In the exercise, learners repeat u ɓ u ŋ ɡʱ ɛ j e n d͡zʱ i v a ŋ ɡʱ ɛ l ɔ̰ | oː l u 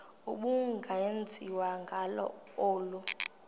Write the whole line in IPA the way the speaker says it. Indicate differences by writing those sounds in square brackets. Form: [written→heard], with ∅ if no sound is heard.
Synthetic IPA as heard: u ɓ u ŋ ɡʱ [ɛ→a] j e n d͡zʱ i [v→w] a ŋ ɡʱ [ɛ→a] l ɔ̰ | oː l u